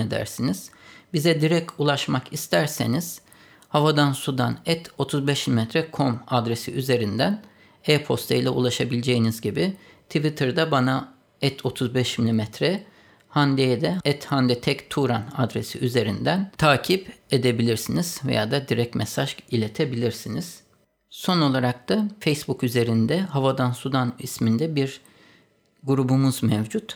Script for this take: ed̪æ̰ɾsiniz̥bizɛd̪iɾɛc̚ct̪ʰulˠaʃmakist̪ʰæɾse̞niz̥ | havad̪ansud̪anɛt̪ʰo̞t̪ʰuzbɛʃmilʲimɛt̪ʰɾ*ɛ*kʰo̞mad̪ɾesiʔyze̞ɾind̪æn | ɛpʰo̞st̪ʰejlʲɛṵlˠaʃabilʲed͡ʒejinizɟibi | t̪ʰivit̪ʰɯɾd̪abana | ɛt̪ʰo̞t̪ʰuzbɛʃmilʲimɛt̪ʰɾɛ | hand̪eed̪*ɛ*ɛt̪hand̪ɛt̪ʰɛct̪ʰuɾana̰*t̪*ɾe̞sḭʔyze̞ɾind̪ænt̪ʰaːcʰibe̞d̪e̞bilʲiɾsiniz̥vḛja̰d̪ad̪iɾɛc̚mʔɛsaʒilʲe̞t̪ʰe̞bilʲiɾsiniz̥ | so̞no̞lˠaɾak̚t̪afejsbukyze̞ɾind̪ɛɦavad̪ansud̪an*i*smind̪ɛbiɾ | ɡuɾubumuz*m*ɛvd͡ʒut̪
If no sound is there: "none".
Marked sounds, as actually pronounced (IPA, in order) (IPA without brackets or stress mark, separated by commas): ɛ, ɛ, d̪, i, m